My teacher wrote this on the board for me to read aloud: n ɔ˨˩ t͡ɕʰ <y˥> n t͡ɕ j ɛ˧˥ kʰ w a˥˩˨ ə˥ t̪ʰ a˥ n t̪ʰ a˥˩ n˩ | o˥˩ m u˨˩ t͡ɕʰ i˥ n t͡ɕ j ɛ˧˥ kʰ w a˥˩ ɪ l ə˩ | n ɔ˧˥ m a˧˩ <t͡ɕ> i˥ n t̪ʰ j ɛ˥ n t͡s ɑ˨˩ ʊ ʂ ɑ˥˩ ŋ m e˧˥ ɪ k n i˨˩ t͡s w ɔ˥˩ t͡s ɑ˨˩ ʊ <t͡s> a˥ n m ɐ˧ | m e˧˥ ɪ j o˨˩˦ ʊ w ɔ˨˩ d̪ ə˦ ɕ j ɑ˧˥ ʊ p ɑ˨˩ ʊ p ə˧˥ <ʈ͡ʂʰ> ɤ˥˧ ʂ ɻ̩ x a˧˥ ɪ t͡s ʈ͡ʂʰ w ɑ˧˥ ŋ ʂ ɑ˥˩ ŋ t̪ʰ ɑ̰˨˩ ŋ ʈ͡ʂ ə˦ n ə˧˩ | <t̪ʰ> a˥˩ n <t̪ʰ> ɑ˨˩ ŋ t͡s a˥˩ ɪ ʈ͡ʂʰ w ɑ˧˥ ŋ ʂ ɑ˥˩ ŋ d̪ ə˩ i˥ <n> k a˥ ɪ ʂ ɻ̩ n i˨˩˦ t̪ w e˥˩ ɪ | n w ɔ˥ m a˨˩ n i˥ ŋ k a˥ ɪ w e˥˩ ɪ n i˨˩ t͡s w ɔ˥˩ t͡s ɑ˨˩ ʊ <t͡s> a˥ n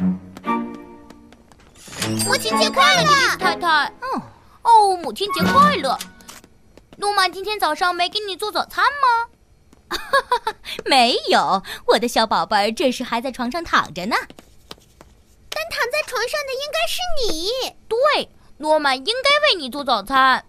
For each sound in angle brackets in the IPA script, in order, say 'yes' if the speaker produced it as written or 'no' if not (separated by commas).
no, yes, no, no, no, yes, no, no